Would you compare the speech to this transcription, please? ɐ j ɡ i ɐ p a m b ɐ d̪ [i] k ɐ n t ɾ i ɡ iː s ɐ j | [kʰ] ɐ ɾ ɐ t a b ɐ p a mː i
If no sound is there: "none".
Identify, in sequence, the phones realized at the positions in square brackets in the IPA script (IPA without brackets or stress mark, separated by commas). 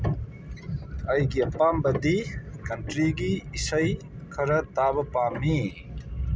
i, kʰ